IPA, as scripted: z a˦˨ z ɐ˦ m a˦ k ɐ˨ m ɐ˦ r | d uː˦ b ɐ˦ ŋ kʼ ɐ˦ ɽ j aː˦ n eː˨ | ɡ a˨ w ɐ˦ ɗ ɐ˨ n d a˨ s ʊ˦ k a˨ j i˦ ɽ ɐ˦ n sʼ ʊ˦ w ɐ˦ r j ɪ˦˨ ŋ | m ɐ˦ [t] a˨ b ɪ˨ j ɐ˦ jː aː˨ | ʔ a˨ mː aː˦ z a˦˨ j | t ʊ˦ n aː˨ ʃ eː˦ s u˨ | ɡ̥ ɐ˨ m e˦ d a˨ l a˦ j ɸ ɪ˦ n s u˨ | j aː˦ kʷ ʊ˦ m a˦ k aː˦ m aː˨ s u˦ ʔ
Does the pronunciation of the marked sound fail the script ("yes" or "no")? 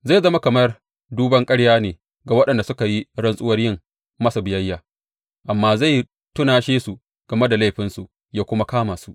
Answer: yes